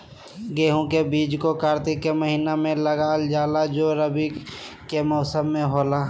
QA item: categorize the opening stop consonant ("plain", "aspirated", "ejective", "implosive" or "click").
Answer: plain